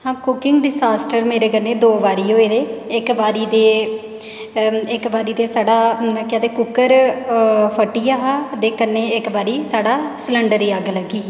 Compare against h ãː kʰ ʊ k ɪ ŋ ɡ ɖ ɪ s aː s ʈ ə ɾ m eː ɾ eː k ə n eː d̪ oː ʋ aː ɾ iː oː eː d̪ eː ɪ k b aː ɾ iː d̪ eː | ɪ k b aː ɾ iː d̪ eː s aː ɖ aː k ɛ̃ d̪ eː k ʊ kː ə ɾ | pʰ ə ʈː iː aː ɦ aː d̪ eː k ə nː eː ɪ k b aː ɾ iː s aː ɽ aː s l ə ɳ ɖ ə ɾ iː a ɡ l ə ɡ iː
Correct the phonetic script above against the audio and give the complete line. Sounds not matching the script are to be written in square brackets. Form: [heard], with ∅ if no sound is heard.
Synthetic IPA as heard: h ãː [k] ʊ k ɪ ŋ ɡ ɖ ɪ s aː s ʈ ə ɾ m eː ɾ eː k ə n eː d̪ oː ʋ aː ɾ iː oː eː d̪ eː ɪ k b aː ɾ iː d̪ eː | ɪ k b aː ɾ iː d̪ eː s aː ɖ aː k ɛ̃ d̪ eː k ʊ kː ə ɾ | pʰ ə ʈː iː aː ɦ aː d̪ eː k ə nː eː ɪ k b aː ɾ iː s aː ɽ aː s l ə ɳ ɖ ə ɾ iː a ɡ l ə ɡ iː

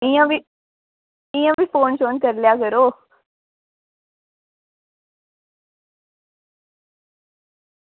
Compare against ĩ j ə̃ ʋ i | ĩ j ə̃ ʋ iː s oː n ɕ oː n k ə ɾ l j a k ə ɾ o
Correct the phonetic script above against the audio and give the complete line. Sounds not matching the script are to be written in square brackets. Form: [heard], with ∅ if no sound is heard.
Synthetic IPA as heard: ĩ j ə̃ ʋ i | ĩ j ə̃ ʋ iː [f] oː n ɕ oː n k ə ɾ l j a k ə ɾ o

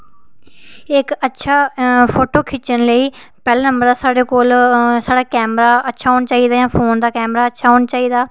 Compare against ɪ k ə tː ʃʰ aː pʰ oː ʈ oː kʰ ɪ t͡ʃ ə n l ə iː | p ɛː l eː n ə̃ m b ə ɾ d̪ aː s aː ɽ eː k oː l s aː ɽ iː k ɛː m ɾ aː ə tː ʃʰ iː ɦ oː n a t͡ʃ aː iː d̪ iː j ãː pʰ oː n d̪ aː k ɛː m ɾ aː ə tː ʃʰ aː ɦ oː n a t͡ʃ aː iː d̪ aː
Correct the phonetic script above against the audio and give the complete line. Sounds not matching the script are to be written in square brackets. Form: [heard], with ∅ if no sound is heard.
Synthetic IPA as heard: ɪ k ə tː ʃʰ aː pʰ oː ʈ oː kʰ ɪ t͡ʃ ə n l ə iː | p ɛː l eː n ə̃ m b ə ɾ d̪ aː s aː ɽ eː k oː l s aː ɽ [aː] k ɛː m ɾ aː ə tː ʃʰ [aː] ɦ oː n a t͡ʃ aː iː d̪ [aː] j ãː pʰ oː n d̪ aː k ɛː m ɾ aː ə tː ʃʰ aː ɦ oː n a t͡ʃ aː iː d̪ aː

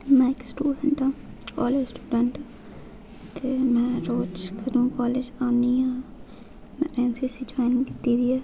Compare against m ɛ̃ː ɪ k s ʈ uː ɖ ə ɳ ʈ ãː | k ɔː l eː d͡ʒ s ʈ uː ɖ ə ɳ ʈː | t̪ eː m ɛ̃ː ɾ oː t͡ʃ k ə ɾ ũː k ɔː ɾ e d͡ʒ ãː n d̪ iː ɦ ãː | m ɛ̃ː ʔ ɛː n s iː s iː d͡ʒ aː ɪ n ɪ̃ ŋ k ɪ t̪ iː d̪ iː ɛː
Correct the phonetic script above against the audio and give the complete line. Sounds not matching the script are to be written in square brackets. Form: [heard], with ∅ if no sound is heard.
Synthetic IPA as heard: m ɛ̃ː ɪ k s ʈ uː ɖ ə ɳ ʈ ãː | k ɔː l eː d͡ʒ s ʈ uː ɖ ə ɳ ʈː | t̪ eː m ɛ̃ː ɾ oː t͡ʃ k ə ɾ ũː k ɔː [l] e d͡ʒ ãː n d̪ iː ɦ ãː | m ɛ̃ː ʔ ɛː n s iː s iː d͡ʒ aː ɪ n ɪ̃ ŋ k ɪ t̪ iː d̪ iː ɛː

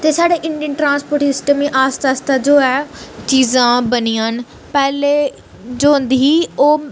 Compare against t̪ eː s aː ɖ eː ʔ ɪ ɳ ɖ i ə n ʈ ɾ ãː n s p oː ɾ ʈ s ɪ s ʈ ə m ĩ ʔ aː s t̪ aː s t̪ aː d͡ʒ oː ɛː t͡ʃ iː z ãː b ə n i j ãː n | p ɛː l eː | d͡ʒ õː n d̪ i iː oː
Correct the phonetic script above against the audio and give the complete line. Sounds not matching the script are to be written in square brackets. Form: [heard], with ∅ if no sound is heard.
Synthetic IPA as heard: t̪ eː s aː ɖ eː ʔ ɪ ɳ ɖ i ə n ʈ ɾ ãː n s p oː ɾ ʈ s ɪ s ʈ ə m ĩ ʔ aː s t̪ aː s t̪ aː d͡ʒ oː ɛː t͡ʃ iː z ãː b ə n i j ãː n | p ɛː l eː | d͡ʒ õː n d̪ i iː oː

